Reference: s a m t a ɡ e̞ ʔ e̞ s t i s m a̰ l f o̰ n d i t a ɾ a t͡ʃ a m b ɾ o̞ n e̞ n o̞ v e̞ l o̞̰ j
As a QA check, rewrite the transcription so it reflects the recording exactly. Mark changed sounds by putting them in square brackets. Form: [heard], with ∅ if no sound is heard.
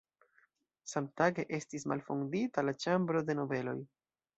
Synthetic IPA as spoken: s a m t a ɡ e̞ ʔ e̞ s t i s m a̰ l f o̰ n d i t a [l] a t͡ʃ a m b ɾ o̞ [d] e̞ n o̞ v e̞ l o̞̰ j